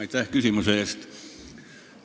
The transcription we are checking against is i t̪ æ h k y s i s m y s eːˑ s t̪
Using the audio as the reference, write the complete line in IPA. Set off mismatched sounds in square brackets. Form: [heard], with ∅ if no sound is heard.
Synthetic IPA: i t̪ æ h k y s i [∅] m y s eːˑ s t̪